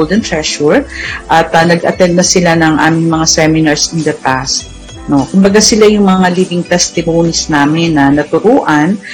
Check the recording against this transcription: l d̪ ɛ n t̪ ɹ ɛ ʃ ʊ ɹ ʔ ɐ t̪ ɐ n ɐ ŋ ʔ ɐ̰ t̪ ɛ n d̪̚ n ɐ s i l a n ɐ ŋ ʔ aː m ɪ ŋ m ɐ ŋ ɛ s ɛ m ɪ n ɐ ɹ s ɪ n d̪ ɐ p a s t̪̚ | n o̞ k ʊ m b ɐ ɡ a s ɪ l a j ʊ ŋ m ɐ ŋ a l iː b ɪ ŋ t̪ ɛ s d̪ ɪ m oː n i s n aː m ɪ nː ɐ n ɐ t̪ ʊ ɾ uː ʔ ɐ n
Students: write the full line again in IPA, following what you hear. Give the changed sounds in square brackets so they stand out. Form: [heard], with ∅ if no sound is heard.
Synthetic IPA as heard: l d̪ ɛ n t̪ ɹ ɛ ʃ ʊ ɹ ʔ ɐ t̪ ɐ n ɐ [ɡ] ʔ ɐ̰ t̪ ɛ n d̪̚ n ɐ s [ɪ] l a n ɐ ŋ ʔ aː m ɪ ŋ m ɐ ŋ [a] s ɛ m ɪ n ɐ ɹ s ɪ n d̪ ɐ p a s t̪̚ | n o̞ k ʊ m b ɐ ɡ a s ɪ l a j ʊ ŋ m ɐ ŋ a l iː b ɪ ŋ t̪ ɛ s [t̪] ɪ m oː n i s n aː m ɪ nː ɐ n ɐ t̪ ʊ ɾ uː ʔ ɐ n